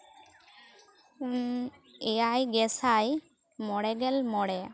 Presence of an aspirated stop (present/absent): absent